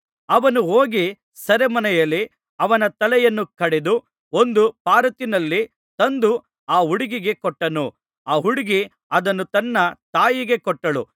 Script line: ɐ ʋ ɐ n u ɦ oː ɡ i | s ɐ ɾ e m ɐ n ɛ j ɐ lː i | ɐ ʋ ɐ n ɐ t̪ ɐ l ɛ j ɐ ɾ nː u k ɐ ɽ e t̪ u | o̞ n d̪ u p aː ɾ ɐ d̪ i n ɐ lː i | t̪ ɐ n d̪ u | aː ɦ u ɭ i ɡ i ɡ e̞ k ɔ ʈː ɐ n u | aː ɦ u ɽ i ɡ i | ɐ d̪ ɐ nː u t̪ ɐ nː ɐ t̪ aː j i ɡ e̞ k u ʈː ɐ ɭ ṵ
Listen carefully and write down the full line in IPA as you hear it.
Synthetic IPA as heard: ɐ ʋ ɐ n u ɦ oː ɡ i | s ɐ ɾ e m ɐ n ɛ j ɐ lː i | ɐ ʋ ɐ n ɐ t̪ ɐ l ɛ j ɐ nː u k ɐ ɽ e d̪ u | o̞ n d̪ u p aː ɾ ɐ t̪ i n ɐ lː i | t̪ ɐ n d̪ u | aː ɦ u ɽ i ɡ i ɡ e̞ k ɔ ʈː ɐ n u | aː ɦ u ɽ i ɡ i | ɐ d̪ ɐ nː u t̪ ɐ nː ɐ t̪ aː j i ɡ e̞ k ɔ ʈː ɐ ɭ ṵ